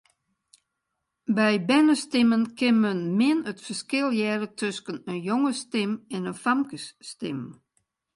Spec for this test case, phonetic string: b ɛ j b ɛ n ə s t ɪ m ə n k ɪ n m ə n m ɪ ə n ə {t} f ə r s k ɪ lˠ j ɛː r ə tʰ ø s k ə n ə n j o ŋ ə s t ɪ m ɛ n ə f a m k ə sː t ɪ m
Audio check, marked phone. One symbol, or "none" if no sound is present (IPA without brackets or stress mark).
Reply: t